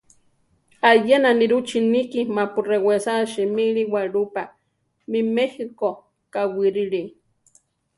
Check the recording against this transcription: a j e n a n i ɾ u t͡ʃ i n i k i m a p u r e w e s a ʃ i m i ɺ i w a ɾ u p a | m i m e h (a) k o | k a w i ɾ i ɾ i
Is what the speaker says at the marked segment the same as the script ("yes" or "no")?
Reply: no